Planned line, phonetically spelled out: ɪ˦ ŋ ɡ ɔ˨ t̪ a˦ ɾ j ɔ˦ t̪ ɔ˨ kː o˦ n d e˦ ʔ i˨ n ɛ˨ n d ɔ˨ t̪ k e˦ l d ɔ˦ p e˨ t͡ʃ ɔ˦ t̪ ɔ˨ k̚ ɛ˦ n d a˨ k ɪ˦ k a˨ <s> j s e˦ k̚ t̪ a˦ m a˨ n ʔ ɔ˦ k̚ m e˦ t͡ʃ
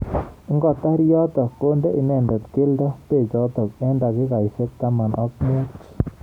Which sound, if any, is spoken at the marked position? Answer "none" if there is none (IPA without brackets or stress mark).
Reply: none